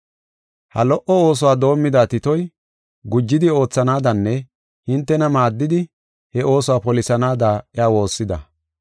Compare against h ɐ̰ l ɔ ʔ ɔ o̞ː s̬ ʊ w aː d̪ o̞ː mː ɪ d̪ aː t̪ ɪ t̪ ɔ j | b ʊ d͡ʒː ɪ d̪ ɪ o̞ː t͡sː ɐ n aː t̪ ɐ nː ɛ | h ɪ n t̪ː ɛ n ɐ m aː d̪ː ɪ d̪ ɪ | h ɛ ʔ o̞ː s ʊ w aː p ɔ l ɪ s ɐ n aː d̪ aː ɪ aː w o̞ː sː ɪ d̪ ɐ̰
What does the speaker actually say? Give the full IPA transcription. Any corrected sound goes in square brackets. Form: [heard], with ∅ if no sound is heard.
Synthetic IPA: h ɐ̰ l ɔ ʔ ɔ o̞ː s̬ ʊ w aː d̪ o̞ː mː ɪ d̪ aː t̪ ɪ t̪ ɔ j | [ɡ] ʊ d͡ʒː ɪ d̪ ɪ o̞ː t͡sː ɐ n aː [d̪] ɐ nː ɛ | h ɪ n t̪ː ɛ n ɐ m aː d̪ː ɪ d̪ ɪ | h ɛ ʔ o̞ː s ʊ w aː p ɔ l ɪ s ɐ n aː d̪ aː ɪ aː w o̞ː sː ɪ d̪ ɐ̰